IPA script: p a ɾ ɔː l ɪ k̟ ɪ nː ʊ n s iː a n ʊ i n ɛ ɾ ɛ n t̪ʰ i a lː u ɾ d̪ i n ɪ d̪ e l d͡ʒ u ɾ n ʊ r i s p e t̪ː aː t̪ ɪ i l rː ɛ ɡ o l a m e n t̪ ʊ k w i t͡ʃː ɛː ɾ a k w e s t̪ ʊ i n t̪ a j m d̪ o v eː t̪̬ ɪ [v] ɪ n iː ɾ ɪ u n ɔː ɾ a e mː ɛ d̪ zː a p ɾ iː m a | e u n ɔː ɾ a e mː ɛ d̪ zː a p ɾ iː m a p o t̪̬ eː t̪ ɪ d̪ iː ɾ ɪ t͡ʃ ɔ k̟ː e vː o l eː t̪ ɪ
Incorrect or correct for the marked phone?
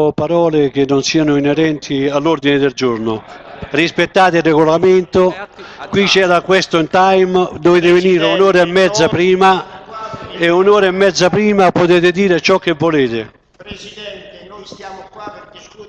correct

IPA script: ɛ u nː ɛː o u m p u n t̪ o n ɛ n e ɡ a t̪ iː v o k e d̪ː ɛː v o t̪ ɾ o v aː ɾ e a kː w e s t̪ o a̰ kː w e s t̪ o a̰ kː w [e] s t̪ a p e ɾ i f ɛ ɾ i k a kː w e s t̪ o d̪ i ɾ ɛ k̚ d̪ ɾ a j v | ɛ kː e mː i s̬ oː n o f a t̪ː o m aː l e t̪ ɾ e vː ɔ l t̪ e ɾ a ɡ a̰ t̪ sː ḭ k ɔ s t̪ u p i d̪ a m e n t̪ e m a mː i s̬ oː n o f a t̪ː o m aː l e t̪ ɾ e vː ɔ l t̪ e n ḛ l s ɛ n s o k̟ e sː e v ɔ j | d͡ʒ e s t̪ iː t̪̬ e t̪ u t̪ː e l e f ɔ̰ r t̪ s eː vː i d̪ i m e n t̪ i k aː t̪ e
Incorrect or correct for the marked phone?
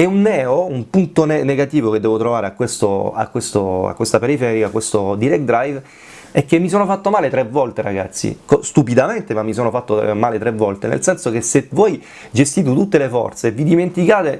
correct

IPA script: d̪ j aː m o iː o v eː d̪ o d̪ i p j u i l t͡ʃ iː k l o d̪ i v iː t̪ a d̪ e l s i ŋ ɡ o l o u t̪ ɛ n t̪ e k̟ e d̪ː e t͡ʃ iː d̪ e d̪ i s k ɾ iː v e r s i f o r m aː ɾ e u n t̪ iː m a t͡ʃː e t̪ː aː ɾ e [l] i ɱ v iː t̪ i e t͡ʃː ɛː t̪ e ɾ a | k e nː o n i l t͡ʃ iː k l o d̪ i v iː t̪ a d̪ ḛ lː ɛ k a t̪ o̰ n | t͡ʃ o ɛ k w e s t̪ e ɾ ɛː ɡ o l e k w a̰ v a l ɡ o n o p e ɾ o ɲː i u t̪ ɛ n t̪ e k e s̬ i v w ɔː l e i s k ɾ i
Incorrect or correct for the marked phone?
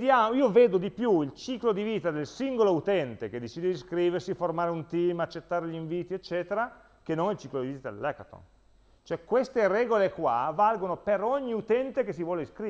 incorrect: ʎ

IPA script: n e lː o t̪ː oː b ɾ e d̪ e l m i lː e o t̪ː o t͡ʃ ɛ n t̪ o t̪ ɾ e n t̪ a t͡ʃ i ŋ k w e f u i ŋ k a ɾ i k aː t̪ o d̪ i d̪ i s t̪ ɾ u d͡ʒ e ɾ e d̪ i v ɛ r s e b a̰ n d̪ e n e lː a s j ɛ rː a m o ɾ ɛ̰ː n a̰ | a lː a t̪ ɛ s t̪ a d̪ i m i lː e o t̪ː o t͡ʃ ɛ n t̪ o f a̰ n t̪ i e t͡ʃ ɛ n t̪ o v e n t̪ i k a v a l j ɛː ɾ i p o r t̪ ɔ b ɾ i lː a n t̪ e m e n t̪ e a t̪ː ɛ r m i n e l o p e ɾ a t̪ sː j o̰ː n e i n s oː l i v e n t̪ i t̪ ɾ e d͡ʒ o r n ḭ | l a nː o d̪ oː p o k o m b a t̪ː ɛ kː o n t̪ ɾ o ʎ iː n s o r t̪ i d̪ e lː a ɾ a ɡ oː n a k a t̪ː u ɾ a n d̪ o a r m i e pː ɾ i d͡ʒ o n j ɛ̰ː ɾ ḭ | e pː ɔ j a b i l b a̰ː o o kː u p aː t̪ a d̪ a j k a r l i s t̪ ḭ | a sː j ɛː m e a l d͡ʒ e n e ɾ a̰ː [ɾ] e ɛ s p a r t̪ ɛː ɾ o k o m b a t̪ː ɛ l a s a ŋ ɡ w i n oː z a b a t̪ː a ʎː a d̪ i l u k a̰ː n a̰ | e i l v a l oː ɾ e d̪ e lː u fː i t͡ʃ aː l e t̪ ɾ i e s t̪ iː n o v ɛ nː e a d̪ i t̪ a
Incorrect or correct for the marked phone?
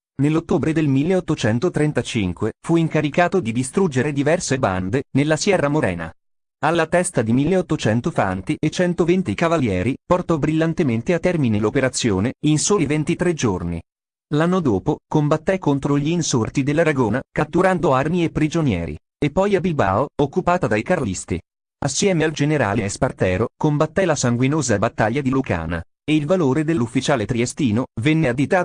incorrect: l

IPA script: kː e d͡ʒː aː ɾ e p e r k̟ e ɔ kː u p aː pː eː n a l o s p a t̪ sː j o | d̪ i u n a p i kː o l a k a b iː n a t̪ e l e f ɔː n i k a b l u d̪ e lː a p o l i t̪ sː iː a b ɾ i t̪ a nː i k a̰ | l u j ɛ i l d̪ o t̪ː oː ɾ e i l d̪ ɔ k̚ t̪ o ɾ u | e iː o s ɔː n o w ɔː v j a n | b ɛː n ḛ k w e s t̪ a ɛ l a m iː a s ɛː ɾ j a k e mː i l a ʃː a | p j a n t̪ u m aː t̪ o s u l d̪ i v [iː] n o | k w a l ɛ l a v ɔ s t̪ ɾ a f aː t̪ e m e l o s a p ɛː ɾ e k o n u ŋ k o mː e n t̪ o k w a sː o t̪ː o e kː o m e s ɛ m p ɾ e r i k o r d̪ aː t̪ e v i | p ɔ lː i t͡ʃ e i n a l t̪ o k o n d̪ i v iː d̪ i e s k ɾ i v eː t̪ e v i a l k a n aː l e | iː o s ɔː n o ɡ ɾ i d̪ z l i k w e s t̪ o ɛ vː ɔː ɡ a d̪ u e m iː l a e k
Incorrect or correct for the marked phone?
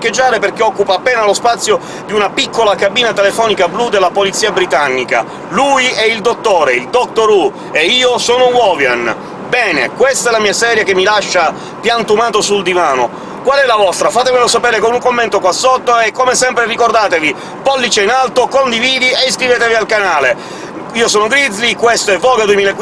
incorrect: aː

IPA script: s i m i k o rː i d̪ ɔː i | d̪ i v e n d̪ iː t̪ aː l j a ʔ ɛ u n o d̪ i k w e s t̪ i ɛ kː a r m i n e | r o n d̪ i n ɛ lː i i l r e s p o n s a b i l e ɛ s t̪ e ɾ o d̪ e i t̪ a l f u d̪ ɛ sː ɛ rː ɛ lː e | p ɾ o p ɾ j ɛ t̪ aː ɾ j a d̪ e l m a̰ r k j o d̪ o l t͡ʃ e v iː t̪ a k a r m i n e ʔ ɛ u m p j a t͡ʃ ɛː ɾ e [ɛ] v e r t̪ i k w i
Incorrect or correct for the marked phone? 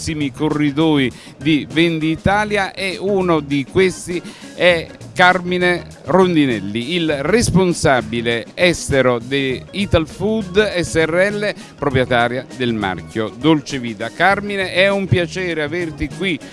incorrect: a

